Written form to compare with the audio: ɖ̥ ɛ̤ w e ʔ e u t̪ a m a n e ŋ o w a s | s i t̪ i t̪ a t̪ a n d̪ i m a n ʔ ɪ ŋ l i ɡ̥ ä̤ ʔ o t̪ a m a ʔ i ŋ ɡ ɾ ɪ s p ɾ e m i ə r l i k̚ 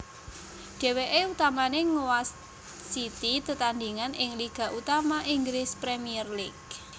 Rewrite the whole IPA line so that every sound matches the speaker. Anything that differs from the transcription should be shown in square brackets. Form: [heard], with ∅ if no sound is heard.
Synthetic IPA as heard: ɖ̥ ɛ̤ w e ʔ e u t̪ a m a n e ŋ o w a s | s i t̪ i t̪ [ə] t̪ a n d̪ i [ŋ] a n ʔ ɪ ŋ l i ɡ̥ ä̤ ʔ [u] t̪ a m a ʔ i ŋ ɡ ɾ ɪ s p ɾ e m i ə r l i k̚